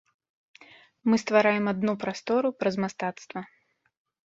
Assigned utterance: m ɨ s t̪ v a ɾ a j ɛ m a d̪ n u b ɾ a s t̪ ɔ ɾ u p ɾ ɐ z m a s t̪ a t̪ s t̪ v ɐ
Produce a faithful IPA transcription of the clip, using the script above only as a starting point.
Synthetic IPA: m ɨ s t̪ v a ɾ a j ɛ m a d̪ n u p ɾ a s t̪ ɔ ɾ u p ɾ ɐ z m a s t̪ a t̪ s t̪ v ɐ